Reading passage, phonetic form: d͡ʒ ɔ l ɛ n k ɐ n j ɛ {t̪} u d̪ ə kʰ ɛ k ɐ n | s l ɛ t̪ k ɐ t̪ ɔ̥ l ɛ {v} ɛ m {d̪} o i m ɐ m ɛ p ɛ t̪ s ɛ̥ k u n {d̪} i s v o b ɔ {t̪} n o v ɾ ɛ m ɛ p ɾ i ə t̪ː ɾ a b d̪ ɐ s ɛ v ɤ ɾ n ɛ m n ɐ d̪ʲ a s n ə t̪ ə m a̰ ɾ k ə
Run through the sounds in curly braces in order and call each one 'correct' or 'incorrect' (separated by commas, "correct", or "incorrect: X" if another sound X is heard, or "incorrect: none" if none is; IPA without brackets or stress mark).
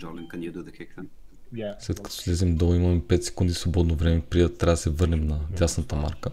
incorrect: d̪, incorrect: z, correct, correct, incorrect: d̪